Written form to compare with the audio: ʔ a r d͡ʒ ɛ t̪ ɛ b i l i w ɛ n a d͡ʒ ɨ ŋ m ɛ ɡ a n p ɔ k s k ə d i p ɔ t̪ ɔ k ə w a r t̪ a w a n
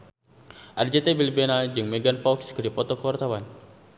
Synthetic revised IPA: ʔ a r d͡ʒ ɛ t̪ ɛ b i l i b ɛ n a d͡ʒ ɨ ŋ m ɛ ɡ a n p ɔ k s k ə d i p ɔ t̪ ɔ k ə w a r t̪ a w a n